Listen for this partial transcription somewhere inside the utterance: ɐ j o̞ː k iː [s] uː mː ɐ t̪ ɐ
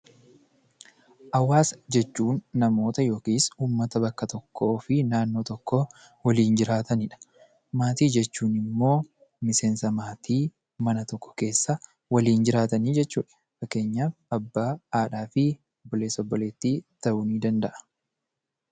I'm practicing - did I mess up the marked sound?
no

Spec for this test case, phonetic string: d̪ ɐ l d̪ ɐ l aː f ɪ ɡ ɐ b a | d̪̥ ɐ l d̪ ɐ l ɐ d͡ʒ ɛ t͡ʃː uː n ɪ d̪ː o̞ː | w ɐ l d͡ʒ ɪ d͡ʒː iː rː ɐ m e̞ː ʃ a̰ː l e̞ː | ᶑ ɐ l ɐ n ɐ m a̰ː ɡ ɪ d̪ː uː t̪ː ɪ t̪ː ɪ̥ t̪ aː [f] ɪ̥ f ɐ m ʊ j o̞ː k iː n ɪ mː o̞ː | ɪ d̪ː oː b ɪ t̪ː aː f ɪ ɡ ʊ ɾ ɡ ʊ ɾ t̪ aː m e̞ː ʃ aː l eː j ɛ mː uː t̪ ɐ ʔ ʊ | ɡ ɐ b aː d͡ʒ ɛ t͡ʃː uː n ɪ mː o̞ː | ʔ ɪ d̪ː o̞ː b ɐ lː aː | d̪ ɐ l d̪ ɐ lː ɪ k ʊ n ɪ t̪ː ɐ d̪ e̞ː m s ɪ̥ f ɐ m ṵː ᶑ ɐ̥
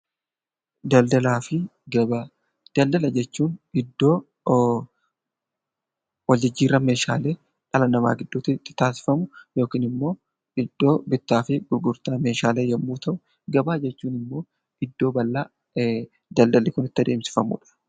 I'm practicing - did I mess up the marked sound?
yes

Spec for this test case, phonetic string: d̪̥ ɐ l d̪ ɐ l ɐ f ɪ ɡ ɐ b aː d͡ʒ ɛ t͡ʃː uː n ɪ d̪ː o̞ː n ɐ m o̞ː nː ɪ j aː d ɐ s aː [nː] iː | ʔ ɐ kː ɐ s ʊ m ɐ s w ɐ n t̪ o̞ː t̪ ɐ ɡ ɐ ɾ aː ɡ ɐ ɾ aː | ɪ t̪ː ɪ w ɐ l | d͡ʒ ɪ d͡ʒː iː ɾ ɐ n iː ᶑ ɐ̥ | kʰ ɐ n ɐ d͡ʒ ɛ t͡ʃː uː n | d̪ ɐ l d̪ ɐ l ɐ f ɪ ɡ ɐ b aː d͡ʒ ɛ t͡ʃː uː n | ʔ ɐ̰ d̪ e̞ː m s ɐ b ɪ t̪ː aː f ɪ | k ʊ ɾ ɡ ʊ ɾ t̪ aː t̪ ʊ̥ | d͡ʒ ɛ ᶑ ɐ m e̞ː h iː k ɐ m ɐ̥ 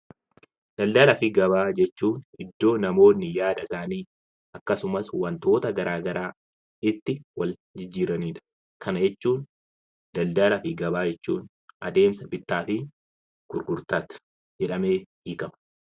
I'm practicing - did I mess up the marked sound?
yes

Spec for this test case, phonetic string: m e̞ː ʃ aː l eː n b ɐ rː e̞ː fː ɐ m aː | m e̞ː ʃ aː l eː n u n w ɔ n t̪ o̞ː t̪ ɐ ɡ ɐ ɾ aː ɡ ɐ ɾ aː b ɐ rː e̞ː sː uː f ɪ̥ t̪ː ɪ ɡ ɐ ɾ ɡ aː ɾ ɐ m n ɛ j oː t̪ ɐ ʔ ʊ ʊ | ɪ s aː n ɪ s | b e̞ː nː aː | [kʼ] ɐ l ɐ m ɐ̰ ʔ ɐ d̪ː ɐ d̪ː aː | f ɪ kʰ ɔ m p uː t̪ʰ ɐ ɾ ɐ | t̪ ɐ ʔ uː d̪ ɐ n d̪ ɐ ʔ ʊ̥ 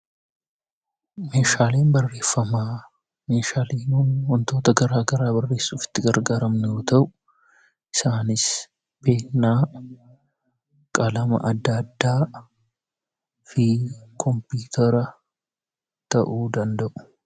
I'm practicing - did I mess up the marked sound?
no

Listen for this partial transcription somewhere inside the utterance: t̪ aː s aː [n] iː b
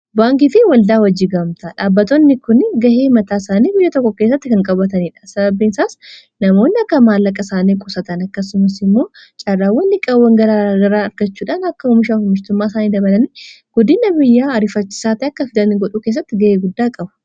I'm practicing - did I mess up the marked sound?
no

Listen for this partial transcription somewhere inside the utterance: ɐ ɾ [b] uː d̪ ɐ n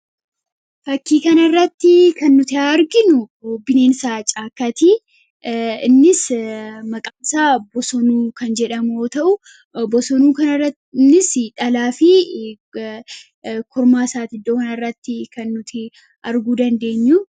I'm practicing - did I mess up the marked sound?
yes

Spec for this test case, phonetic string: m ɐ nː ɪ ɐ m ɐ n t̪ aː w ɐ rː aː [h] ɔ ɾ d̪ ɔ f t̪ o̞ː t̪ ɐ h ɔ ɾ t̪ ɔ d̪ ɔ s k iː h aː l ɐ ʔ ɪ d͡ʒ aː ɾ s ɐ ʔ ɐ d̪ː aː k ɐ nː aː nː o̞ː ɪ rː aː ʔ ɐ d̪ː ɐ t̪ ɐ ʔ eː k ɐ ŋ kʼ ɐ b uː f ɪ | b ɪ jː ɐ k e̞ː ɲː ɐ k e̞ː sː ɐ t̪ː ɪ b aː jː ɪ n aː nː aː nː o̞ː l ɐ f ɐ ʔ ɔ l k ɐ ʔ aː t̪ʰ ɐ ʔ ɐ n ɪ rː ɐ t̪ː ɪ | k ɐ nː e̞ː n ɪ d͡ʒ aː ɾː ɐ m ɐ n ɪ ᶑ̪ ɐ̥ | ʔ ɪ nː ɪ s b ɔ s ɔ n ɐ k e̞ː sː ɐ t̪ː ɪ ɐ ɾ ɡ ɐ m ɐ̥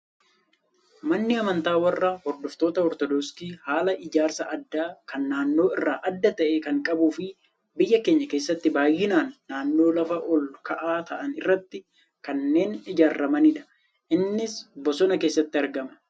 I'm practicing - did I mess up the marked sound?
no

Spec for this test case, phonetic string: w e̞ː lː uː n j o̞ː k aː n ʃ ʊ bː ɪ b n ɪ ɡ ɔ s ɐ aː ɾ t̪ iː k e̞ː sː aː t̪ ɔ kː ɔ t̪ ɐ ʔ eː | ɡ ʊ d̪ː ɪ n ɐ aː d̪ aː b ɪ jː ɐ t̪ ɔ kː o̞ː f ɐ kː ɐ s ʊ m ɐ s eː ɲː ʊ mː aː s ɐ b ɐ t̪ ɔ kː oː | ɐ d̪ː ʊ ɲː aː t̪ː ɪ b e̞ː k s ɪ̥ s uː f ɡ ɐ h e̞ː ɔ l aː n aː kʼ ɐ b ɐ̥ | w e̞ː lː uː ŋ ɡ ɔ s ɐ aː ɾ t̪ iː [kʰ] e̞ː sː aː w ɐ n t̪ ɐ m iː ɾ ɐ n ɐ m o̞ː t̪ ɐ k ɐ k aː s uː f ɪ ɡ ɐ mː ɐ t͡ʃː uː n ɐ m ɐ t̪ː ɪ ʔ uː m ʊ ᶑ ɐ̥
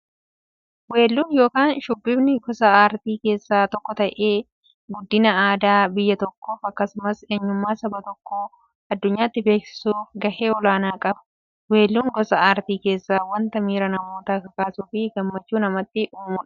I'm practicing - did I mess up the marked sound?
yes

